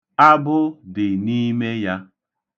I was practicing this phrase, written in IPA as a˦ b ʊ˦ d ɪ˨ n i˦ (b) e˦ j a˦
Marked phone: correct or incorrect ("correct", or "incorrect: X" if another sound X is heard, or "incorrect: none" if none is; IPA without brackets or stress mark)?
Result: incorrect: m